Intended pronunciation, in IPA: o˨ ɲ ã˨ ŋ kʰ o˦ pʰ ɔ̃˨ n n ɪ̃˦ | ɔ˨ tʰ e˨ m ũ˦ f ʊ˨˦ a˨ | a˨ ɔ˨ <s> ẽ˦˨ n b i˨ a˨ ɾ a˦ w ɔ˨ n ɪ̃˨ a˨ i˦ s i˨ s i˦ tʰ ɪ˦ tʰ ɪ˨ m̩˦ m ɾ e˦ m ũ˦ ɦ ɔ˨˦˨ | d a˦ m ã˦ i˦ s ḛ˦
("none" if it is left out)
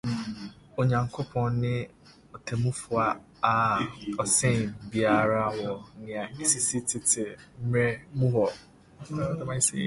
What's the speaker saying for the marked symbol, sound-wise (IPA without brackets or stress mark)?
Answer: s